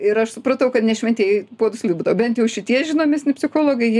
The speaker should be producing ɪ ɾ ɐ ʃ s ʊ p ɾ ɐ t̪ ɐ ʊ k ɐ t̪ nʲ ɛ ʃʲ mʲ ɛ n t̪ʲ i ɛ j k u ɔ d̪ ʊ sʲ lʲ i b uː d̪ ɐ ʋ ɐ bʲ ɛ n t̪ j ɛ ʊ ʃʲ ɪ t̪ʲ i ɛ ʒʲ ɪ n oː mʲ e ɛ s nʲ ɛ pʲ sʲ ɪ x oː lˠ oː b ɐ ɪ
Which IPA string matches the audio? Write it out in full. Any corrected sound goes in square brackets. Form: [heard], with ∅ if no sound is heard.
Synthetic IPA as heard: ɪ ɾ ɐ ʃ s ʊ p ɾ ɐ t̪ ɐ ʊ k ɐ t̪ nʲ ɛ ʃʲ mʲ ɛ n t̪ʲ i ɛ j [p] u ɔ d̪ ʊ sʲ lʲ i b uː d̪ ɐ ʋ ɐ bʲ ɛ n t̪ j ɛ ʊ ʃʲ ɪ t̪ʲ i ɛ ʒʲ ɪ n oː mʲ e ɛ s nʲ ɛ pʲ sʲ ɪ x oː lˠ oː [ɡ] ɐ ɪ